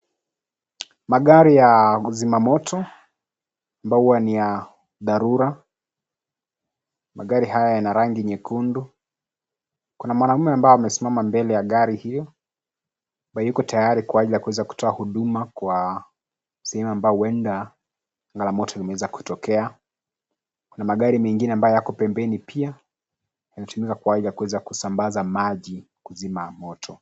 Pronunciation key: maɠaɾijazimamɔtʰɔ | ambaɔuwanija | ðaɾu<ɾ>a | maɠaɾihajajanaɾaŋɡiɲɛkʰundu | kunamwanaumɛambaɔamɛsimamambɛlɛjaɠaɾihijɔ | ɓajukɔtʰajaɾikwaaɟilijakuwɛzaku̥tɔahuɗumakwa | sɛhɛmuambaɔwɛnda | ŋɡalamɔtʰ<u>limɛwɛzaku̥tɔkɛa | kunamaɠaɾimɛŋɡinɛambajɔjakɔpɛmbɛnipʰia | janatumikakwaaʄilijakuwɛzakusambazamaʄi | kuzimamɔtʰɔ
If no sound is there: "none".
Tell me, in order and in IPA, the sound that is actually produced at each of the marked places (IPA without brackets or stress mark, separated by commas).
ɾ, ɔ